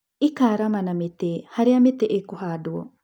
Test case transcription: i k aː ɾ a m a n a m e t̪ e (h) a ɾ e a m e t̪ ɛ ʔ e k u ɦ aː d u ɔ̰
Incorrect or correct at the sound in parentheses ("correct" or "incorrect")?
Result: correct